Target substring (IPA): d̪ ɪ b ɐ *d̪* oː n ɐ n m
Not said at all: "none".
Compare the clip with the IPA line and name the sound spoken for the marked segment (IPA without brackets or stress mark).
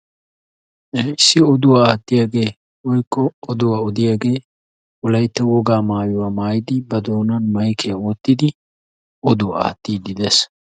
d̪